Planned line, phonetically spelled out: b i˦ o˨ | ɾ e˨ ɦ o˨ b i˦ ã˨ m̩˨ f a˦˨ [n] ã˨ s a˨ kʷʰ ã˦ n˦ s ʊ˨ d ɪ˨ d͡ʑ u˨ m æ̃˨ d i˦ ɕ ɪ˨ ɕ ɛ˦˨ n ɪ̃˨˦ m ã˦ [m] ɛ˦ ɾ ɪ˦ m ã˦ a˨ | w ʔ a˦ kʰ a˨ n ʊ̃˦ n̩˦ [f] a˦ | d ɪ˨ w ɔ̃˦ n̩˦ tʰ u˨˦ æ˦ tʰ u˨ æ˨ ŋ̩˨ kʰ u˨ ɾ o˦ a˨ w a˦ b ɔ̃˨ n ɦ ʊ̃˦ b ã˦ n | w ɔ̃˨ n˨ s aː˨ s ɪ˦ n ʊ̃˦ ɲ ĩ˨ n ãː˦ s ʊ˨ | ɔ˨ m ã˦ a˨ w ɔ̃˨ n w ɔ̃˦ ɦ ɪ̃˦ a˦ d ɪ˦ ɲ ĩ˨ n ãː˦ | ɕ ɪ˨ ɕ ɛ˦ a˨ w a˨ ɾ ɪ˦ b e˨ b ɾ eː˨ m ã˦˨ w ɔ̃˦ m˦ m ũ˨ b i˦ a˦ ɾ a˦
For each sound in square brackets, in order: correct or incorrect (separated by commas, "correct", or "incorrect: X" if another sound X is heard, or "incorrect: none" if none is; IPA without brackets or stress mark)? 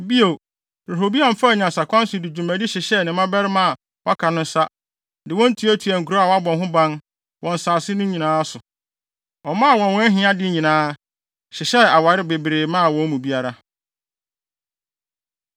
incorrect: ɲ, incorrect: b, incorrect: s